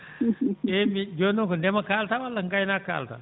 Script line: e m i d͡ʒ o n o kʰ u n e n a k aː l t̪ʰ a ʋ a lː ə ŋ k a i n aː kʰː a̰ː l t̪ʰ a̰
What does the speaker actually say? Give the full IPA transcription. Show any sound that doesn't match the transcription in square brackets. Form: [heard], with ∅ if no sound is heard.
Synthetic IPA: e m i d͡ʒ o n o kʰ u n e [m] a k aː l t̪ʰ a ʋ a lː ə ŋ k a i n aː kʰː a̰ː l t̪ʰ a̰